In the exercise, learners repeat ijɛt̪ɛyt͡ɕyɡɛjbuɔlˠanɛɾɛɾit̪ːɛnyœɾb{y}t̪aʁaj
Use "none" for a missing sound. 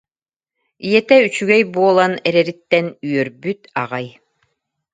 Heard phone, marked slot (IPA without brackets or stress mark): y